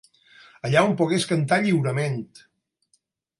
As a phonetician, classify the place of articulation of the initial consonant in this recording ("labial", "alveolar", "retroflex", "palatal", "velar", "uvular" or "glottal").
palatal